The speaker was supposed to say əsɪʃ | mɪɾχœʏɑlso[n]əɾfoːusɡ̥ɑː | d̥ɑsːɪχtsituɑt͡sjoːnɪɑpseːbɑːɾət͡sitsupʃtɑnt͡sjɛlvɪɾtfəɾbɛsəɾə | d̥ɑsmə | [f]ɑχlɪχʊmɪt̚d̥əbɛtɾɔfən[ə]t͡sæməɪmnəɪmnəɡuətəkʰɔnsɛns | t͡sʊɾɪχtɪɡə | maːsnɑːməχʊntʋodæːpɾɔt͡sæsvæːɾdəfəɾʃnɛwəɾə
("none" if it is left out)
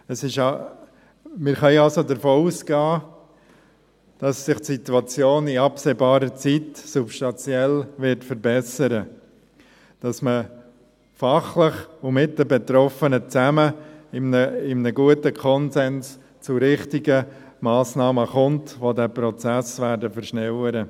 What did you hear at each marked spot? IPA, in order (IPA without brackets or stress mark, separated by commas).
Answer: d, f, ə